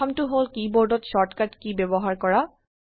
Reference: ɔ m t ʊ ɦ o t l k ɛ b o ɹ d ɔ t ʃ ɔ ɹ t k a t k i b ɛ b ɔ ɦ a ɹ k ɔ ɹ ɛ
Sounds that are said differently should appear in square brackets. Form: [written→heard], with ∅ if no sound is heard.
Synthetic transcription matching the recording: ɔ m t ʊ ɦ o [t→∅] l k [ɛ→i] b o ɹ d ɔ t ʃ ɔ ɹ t k a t k i b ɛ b ɔ ɦ a ɹ k ɔ ɹ [ɛ→a]